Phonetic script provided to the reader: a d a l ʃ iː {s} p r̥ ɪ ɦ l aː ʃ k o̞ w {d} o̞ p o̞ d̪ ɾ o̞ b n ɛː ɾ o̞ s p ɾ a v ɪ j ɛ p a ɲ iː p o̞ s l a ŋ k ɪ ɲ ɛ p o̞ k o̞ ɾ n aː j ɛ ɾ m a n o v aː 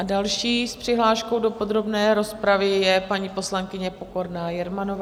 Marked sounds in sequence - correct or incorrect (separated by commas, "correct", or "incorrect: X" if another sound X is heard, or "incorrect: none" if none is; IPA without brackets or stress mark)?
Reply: correct, correct